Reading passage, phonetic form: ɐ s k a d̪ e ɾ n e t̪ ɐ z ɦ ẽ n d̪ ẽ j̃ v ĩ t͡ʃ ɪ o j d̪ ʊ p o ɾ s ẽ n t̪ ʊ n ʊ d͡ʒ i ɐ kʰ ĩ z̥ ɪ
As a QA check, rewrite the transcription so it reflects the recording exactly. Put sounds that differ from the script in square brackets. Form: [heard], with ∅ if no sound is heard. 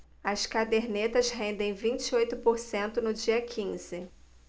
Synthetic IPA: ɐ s k a d̪ e ɾ n e t̪ ɐ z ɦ ẽ n d̪ ẽ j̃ v ĩ t͡ʃ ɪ o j [t̪] ʊ p o ɾ s ẽ n t̪ ʊ n ʊ d͡ʒ i ɐ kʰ ĩ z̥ ɪ